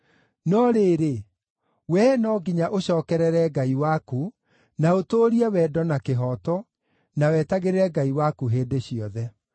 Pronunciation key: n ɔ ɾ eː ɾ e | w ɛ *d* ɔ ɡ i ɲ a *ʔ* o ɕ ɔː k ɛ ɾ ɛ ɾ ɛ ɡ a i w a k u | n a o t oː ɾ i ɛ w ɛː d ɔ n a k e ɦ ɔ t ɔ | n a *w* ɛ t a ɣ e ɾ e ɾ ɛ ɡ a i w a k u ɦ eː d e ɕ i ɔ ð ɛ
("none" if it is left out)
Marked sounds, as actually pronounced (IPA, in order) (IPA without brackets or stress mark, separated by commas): n, ʔ, w